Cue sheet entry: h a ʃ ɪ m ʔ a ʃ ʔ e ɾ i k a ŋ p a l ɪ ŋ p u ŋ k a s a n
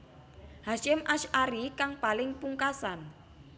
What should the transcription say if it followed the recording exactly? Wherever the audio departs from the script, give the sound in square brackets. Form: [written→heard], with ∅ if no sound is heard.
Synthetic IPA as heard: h a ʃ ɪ m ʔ a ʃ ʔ [e→a] ɾ i k a ŋ p a l ɪ ŋ p u ŋ k a s a n